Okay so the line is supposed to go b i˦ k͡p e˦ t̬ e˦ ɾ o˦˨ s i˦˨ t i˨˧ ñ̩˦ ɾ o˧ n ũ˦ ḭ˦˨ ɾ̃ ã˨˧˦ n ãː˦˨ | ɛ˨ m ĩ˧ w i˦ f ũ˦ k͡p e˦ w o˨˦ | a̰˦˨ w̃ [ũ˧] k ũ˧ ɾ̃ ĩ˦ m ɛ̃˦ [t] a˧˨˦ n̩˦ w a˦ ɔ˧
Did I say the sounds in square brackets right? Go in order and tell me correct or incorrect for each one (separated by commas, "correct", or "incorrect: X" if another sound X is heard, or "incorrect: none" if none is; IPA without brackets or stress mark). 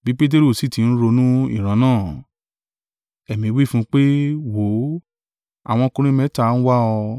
incorrect: ɔ̃˧, correct